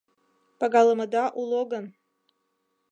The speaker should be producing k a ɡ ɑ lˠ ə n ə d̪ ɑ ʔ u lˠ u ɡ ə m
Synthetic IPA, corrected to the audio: p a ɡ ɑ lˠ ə m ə d̪ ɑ ʔ u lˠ o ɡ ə n